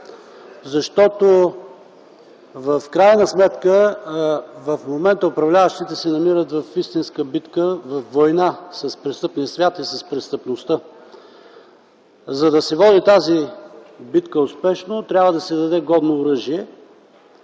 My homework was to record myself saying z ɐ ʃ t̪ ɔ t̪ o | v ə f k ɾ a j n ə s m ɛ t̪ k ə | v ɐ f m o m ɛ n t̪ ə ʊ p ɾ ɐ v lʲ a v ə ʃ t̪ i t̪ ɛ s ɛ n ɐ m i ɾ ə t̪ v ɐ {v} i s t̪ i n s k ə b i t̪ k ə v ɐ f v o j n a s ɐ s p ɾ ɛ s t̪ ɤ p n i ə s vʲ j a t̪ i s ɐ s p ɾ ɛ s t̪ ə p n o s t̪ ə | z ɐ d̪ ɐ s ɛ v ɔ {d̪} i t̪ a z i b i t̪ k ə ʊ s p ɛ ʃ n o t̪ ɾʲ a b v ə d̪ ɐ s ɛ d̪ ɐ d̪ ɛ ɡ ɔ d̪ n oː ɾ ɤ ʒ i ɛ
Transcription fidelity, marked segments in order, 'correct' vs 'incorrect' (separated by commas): incorrect, correct